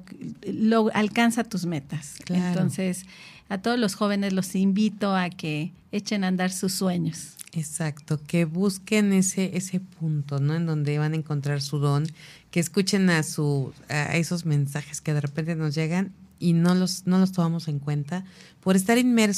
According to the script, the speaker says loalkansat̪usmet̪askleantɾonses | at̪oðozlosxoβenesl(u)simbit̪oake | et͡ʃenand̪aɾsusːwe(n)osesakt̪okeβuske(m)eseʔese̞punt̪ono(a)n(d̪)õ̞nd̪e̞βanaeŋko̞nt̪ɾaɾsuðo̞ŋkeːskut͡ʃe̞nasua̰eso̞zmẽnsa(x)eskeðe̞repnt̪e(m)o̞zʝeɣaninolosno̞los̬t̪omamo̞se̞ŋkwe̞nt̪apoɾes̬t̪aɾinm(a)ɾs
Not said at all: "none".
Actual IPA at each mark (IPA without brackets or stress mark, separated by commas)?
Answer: o, ɲ, n, e, d̪, x, n, e